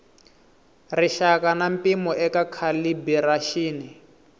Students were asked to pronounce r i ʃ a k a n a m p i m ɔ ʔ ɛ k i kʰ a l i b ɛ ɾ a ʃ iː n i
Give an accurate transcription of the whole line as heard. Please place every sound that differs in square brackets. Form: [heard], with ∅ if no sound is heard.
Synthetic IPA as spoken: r i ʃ a k a n a m p i m ɔ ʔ ɛ k [a] kʰ a l i b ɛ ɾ a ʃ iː n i